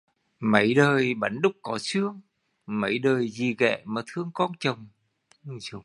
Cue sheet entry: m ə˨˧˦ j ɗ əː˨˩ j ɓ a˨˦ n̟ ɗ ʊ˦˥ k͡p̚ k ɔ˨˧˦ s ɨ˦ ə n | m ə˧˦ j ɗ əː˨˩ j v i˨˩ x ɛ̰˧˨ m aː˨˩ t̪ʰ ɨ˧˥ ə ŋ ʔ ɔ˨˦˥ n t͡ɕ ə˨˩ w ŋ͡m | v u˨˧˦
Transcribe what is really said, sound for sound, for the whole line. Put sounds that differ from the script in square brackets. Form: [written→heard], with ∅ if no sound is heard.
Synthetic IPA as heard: m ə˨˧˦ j ɗ əː˨˩ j ɓ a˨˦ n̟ ɗ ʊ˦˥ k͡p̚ k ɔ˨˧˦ s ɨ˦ ə [n→ŋ] | m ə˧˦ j ɗ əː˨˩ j [v→z] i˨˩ [x→ɣ] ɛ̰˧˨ m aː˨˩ t̪ʰ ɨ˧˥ ə ŋ [ʔ→k] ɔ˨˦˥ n t͡ɕ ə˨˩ w ŋ͡m | [v→z] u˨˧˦